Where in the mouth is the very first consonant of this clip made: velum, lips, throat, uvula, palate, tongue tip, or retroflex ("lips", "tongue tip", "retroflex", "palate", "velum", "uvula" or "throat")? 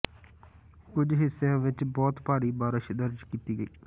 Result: velum